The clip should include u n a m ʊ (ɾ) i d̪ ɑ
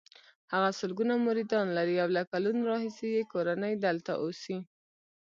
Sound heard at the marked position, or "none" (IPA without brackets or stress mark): ɾ